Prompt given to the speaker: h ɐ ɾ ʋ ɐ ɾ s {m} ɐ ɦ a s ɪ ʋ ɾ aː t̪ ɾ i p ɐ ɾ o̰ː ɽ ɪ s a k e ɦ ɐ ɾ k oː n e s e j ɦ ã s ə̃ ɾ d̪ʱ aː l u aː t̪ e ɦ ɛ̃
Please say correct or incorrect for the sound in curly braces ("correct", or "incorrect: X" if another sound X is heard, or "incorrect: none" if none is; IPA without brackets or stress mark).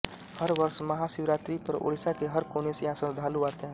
correct